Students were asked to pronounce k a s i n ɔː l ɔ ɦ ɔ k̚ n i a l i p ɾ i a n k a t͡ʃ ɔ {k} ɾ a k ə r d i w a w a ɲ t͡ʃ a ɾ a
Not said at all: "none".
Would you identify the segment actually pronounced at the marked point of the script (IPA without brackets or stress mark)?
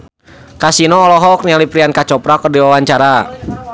p